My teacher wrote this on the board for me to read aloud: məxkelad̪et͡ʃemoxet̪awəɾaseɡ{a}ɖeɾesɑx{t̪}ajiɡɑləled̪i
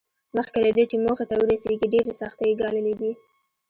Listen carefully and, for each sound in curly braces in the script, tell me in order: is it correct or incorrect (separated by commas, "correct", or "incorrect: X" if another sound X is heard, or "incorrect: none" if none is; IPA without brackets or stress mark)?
incorrect: i, correct